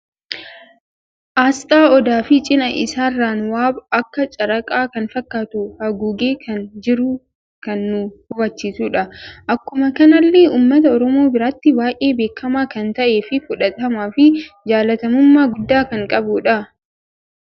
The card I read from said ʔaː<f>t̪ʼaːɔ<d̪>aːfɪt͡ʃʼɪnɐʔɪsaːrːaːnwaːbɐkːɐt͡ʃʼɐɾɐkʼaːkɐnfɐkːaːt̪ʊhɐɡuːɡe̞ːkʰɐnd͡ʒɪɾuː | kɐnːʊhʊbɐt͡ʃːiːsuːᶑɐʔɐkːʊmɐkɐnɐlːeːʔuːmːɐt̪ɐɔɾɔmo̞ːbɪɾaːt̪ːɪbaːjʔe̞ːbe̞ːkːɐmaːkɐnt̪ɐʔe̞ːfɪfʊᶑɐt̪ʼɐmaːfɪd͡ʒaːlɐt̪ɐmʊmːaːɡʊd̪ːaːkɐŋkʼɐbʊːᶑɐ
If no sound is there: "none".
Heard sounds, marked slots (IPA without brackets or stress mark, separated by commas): s, d̪